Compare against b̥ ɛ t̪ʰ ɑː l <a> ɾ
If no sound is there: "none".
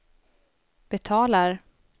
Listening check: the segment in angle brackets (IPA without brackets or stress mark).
a